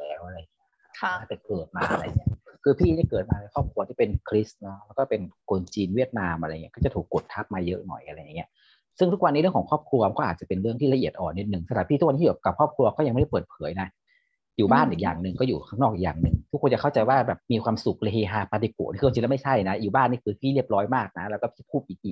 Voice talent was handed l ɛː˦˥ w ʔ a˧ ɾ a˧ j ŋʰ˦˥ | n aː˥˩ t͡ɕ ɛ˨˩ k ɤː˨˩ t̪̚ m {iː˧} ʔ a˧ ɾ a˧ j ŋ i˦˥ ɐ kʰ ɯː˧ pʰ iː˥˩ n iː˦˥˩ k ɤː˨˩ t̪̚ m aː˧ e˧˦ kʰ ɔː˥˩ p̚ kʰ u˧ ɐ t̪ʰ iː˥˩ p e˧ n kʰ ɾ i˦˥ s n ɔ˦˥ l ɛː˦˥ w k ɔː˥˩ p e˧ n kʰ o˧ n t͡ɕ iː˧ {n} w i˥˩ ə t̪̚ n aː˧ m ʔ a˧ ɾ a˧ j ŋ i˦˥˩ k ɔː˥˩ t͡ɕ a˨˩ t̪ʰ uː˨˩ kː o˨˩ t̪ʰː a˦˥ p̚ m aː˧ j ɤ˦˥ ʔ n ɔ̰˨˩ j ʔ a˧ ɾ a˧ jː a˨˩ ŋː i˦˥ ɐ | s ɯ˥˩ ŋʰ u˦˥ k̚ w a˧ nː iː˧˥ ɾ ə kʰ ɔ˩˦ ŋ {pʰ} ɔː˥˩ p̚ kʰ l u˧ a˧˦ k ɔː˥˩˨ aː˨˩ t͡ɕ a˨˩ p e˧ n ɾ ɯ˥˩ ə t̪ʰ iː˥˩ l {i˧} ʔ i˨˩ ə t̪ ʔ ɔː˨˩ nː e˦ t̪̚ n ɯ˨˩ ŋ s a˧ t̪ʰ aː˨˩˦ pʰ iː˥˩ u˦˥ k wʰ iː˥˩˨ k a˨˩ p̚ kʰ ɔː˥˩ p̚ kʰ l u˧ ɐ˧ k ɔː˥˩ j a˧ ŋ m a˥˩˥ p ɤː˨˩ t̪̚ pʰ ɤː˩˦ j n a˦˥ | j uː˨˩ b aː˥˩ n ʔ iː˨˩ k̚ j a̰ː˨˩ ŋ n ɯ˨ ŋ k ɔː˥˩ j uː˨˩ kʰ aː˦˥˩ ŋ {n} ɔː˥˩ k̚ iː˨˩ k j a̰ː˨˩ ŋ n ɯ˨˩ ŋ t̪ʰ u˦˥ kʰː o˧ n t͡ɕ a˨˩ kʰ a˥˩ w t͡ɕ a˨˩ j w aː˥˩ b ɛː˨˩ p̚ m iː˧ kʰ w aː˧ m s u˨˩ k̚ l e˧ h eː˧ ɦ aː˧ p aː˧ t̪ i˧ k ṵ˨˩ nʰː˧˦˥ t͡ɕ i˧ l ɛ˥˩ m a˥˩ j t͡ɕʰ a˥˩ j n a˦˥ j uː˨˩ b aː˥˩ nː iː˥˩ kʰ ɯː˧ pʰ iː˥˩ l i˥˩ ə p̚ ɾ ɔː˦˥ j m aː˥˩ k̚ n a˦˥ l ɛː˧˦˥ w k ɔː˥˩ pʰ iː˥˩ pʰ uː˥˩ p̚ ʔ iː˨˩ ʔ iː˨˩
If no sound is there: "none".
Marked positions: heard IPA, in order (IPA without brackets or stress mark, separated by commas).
aː˧, n, kʰ, a˧, n